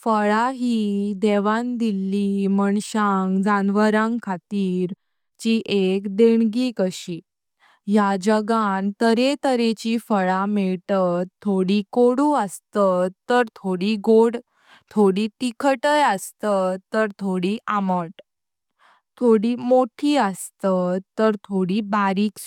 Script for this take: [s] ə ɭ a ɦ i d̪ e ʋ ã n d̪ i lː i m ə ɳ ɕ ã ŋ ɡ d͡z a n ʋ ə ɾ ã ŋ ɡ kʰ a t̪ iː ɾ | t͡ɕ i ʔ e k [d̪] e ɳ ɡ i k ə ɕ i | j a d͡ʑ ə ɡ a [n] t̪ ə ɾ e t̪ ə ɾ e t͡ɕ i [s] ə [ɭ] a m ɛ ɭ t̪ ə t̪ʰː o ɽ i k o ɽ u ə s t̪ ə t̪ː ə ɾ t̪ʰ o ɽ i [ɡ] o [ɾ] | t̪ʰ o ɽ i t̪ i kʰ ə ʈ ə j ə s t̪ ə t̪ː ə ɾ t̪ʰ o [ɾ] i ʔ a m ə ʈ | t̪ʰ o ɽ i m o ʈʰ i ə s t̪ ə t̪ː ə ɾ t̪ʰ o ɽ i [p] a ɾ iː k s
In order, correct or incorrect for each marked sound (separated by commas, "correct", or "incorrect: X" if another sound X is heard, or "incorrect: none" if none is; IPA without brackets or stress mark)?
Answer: incorrect: f, correct, correct, incorrect: f, correct, correct, incorrect: ɽ, incorrect: ɽ, incorrect: b